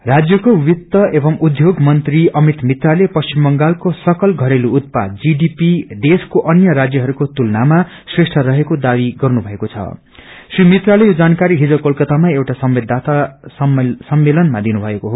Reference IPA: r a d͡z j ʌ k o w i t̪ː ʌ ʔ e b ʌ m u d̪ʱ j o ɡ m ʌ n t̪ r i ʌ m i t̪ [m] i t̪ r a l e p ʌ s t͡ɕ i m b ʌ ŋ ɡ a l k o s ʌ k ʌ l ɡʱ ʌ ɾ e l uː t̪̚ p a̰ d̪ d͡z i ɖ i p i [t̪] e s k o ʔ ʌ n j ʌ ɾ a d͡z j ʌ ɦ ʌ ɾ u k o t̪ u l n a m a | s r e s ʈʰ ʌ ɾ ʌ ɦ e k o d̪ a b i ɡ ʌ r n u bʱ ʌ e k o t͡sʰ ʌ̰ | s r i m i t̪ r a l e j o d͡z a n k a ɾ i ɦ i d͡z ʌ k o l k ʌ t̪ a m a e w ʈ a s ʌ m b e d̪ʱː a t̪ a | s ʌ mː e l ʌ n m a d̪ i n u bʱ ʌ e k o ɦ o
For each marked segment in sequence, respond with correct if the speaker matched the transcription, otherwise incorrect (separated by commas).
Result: correct, incorrect